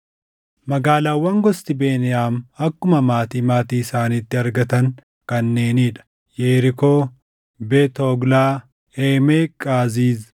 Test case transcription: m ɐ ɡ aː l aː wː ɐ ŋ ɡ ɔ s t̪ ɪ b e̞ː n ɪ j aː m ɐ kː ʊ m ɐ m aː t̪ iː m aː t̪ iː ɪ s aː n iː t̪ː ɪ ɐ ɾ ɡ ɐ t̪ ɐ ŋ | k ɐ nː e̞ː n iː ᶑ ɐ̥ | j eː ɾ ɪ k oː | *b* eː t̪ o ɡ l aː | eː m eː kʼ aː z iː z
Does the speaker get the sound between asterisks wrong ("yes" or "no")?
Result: no